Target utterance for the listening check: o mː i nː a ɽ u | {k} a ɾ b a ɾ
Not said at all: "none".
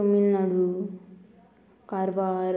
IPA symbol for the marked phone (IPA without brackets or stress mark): k